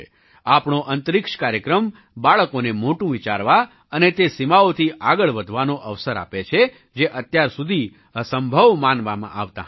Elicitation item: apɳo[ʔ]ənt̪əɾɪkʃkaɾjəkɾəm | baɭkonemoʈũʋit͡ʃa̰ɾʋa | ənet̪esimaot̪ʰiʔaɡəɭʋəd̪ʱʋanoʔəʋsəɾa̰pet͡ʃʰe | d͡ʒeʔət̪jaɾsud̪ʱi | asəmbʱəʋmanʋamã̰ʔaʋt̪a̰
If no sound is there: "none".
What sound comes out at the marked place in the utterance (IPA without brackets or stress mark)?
ʔ